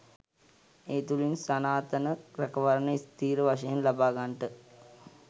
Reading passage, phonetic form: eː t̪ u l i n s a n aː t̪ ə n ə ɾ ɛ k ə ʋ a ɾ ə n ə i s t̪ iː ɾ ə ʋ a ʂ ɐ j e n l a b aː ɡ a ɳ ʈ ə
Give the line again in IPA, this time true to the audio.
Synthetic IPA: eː t̪ u l i n s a n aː t̪ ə n ə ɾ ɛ k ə ʋ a ɾ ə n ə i s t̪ iː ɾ ə ʋ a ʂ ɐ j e n l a b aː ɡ a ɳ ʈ ə